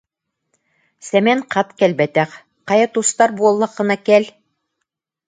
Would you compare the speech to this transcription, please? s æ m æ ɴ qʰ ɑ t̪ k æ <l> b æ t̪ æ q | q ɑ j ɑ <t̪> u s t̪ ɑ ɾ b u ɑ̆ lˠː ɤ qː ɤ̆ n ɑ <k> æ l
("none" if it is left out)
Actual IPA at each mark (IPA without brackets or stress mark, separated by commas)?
l, t̪, k